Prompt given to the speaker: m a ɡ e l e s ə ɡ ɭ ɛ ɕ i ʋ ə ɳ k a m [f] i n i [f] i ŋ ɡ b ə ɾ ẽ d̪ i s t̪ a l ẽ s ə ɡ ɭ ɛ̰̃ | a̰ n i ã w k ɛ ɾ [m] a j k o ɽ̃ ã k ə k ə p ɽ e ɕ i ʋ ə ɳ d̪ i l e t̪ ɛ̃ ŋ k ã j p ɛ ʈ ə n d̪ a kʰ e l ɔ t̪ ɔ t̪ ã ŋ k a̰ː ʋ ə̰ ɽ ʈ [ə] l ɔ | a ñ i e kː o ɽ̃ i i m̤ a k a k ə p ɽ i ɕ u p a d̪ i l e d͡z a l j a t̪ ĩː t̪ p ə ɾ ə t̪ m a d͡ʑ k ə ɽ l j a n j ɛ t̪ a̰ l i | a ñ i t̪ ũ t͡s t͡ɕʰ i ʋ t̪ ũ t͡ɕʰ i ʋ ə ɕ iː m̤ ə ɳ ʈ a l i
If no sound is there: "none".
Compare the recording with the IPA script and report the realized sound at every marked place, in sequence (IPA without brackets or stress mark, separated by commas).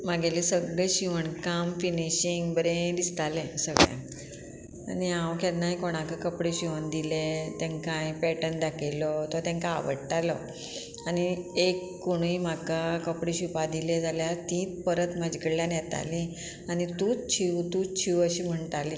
f, ɕ, n, a